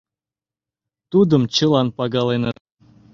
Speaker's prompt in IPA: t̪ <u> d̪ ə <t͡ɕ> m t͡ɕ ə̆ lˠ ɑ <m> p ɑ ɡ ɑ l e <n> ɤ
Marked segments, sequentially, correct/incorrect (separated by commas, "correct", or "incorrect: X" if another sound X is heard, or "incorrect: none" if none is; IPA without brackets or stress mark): correct, incorrect: none, incorrect: n, correct